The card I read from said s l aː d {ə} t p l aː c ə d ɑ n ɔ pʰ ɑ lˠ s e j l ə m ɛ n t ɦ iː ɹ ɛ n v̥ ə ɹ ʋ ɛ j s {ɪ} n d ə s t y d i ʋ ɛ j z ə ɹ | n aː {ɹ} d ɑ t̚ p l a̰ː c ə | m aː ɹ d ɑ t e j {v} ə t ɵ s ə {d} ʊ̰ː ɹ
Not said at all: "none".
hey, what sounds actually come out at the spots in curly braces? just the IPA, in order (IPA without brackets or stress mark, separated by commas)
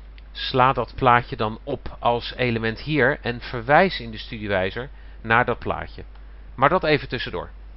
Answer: ɑ, ɪ, ɹ, v, d